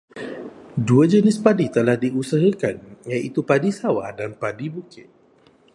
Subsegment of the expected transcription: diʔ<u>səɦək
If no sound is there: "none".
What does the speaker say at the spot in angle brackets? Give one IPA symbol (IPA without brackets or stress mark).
u